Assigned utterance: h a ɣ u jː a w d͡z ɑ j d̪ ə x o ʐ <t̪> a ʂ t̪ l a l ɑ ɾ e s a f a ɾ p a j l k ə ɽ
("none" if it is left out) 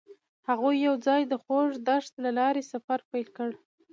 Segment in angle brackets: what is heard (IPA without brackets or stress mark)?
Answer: d̪